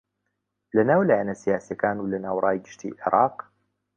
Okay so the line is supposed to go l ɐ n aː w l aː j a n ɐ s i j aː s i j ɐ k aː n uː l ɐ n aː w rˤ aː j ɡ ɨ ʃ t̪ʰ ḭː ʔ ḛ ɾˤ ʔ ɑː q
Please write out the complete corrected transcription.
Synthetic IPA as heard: l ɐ n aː w l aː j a n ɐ s i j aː s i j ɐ k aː n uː l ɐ n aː w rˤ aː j ɡ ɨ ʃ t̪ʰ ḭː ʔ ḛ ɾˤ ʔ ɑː q